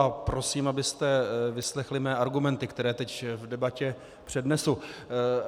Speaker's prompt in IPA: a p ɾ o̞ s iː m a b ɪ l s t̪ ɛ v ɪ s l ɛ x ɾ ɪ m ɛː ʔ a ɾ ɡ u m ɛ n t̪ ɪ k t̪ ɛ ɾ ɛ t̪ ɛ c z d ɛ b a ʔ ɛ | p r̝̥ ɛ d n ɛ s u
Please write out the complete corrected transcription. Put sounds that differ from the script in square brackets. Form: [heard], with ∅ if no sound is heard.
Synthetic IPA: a p ɾ o̞ s iː m a b ɪ [∅] s t̪ ɛ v ɪ s l ɛ x [l] ɪ m ɛː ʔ a ɾ ɡ u m ɛ n t̪ ɪ k t̪ ɛ ɾ [ɛː] t̪ ɛ c [v] d ɛ b a [c] ɛ | p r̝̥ ɛ d n ɛ s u